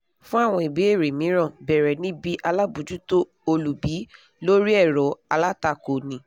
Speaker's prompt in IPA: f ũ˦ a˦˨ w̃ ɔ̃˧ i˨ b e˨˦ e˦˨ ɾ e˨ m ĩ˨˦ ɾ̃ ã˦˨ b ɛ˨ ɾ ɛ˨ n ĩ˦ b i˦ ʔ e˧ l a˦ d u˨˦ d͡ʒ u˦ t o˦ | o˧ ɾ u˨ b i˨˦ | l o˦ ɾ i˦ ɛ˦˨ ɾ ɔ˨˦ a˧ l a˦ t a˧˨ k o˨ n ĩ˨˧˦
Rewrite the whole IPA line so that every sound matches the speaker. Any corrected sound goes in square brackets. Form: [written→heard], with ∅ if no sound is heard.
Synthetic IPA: f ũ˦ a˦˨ w̃ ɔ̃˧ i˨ b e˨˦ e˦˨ ɾ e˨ m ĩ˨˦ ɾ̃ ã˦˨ b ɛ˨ ɾ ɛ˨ n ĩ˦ b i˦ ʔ [e˧→a˧] l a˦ [d→b] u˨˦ d͡ʒ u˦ t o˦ | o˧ [ɾ→l] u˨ b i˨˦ | l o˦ ɾ i˦ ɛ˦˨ ɾ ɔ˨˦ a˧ l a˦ t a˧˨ k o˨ n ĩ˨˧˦